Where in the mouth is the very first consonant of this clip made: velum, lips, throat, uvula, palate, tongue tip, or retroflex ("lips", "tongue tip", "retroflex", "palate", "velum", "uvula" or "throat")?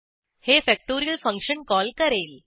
throat